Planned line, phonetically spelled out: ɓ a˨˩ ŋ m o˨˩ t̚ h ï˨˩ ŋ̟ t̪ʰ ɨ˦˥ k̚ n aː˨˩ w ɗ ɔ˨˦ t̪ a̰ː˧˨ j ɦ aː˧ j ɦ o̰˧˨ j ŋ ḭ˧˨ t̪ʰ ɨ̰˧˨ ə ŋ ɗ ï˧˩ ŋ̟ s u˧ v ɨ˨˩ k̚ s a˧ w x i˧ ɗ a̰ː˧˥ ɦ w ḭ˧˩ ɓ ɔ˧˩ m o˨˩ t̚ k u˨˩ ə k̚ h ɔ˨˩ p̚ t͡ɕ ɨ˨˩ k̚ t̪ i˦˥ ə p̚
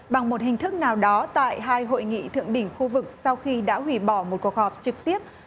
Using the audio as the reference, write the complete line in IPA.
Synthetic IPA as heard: ɓ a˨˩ ŋ m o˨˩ t̚ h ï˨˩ ŋ̟ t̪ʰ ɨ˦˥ k̚ n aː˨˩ w ɗ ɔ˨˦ t̪ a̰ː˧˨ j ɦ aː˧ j ɦ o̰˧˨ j ŋ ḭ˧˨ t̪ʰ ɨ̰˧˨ ə ŋ ɗ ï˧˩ ŋ̟ x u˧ v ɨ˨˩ k̚ s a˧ w x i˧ ɗ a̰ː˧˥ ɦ w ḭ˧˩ ɓ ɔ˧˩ m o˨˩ t̚ k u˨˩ ə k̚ h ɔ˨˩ p̚ t͡ɕ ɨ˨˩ k̚ t̪ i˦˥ ə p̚